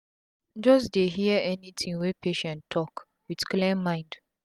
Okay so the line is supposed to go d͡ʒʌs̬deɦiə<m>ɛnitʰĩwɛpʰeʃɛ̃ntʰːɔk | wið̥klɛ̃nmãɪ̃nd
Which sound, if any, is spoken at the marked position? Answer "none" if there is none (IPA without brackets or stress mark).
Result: none